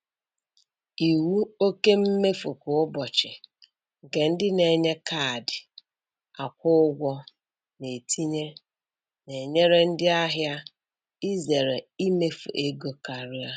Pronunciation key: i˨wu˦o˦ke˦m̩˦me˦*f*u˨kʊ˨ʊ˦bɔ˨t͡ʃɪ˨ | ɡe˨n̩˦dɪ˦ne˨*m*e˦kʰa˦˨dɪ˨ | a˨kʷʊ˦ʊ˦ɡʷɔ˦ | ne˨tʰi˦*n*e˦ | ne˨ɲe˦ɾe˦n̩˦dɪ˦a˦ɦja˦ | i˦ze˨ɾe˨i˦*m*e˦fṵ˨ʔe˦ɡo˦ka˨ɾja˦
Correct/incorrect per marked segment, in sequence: correct, incorrect: ɲ, incorrect: ɲ, correct

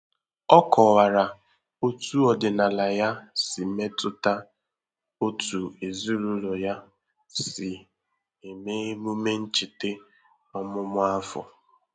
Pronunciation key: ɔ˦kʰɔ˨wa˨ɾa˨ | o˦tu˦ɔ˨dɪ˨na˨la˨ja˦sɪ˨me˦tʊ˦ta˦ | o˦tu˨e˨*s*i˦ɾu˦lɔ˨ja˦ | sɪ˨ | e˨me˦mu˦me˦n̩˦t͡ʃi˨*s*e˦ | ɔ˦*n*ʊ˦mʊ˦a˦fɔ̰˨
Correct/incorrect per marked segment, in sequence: incorrect: z, incorrect: t, incorrect: m

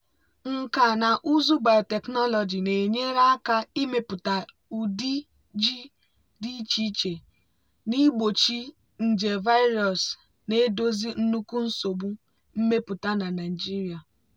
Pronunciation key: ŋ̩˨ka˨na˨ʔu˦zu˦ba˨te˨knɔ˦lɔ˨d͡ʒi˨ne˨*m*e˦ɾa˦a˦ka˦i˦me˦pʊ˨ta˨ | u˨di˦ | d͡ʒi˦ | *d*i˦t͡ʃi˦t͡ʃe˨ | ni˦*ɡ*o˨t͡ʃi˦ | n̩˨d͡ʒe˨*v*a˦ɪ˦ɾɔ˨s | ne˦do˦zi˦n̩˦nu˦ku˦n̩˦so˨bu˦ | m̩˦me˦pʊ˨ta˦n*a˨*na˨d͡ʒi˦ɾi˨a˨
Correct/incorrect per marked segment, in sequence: incorrect: ɲ, correct, incorrect: ɡ͡b, correct, correct

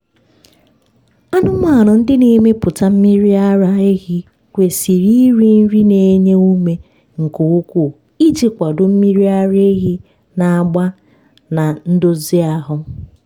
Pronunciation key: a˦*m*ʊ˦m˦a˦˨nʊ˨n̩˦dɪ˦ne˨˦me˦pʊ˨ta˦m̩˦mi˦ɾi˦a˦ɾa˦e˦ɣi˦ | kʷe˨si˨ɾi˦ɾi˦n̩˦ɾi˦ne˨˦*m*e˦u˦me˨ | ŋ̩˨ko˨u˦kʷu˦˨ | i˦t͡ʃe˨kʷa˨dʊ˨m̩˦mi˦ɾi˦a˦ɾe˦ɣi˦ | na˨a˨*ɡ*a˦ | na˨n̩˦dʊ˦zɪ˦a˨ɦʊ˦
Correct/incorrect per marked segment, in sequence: incorrect: n, incorrect: ɲ, incorrect: ɡ͡b

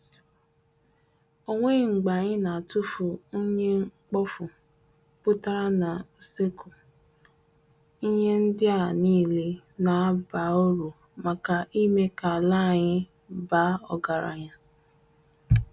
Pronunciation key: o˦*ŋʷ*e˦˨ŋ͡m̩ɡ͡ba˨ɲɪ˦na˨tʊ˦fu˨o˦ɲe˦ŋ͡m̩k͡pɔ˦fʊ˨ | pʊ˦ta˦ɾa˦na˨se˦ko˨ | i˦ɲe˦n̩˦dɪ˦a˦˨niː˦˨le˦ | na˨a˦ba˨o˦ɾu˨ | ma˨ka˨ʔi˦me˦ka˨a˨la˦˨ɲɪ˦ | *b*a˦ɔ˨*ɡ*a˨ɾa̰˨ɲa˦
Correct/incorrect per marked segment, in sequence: correct, correct, correct

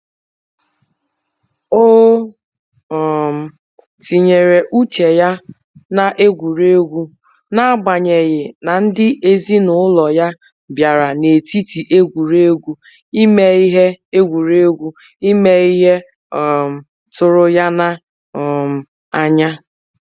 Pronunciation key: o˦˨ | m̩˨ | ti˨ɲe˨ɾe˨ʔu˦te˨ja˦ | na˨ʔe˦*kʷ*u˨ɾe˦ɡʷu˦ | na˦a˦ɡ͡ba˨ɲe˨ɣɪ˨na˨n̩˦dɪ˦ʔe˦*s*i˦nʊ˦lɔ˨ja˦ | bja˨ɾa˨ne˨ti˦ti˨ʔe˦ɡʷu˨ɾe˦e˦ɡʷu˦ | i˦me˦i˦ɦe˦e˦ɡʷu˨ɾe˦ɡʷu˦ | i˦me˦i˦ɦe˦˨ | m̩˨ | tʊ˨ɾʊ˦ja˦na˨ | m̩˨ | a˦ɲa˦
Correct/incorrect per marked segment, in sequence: incorrect: ɡʷ, incorrect: z

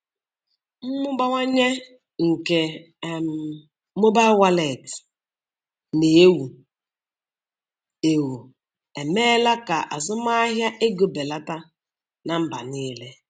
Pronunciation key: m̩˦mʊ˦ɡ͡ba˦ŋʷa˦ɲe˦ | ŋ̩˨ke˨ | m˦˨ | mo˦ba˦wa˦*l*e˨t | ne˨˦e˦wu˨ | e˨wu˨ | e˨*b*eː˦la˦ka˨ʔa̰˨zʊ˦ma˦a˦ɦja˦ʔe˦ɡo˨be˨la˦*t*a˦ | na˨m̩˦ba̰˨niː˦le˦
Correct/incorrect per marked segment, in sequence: correct, incorrect: m, correct

